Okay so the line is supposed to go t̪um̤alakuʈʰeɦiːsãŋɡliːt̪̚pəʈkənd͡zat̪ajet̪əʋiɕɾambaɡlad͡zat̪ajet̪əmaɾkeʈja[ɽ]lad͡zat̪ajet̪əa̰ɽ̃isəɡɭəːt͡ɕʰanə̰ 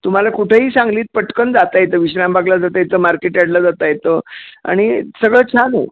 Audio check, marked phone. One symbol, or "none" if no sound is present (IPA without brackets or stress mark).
ɽ